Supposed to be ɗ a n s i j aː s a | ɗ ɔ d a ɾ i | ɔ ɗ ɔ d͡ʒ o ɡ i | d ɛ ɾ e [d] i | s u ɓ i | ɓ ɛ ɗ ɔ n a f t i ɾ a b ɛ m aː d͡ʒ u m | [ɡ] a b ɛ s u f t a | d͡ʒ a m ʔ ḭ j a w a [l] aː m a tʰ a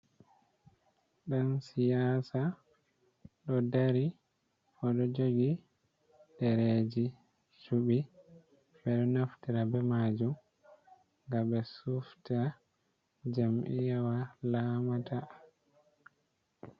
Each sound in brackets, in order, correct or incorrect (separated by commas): incorrect, correct, correct